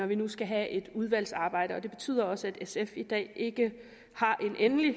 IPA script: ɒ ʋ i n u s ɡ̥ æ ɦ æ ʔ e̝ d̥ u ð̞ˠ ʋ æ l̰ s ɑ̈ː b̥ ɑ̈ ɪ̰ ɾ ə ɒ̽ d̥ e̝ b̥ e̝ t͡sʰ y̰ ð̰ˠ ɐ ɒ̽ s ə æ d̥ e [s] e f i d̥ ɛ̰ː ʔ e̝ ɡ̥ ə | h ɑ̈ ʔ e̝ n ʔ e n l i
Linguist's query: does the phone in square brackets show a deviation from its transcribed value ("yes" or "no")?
no